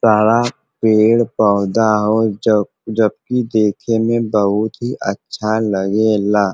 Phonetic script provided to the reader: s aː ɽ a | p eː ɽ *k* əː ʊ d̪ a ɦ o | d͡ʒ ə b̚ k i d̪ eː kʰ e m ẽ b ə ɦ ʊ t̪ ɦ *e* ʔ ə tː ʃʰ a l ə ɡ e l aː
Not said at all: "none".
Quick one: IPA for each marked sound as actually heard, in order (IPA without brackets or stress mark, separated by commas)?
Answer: p, i